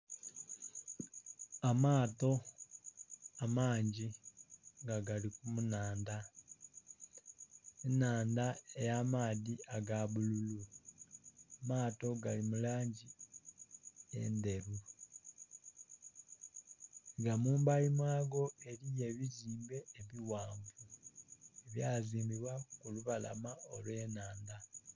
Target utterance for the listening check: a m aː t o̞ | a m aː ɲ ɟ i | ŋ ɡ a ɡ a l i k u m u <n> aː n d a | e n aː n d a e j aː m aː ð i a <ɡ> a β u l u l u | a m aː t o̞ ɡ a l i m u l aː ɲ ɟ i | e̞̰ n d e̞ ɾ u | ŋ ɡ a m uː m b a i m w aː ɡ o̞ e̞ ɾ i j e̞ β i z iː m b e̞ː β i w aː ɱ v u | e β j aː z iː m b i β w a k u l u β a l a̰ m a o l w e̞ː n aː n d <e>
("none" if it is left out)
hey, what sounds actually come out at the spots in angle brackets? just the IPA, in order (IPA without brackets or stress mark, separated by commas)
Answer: n, ɡ, a